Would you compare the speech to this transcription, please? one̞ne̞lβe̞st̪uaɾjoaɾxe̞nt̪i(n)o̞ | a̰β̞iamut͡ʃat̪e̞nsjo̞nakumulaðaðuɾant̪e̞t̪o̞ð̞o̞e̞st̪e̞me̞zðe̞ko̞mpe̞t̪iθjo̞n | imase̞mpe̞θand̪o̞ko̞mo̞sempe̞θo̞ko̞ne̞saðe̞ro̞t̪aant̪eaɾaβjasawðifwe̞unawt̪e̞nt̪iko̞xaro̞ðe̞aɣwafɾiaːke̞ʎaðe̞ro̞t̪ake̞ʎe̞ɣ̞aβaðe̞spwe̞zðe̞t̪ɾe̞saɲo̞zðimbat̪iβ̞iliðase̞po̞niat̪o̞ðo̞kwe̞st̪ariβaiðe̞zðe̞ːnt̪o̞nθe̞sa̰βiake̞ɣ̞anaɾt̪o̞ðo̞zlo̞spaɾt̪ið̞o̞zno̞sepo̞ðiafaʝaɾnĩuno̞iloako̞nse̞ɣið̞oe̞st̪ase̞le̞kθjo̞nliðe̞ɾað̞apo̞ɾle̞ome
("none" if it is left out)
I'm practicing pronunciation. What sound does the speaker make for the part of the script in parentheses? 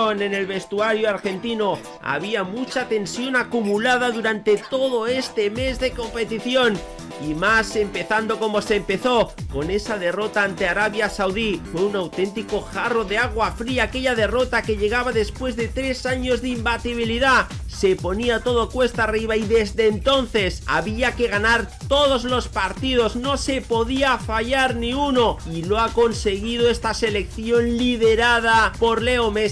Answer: n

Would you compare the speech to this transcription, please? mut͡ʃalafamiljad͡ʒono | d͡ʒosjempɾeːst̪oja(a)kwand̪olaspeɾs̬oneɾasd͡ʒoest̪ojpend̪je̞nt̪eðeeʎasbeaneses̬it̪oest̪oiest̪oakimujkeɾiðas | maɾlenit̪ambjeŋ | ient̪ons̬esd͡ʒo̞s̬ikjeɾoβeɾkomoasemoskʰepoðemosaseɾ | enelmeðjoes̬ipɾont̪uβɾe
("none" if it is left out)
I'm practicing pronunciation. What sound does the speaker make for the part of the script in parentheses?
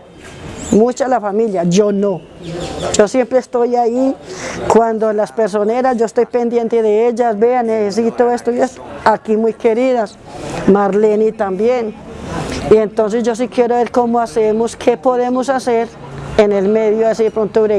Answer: i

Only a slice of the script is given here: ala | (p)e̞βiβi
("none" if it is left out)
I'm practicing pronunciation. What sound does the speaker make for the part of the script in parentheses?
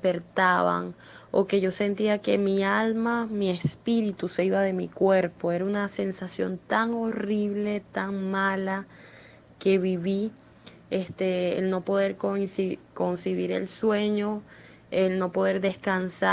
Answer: k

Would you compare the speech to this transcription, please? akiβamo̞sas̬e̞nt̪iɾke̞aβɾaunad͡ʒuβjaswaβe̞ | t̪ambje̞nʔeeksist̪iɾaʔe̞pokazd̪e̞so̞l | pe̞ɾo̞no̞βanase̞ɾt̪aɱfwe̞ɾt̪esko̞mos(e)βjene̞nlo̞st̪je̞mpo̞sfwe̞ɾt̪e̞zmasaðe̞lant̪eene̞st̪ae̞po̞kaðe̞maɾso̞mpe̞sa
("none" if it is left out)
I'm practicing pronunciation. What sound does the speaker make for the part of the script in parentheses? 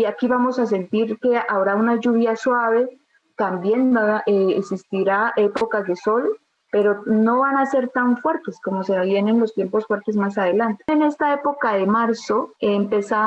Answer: e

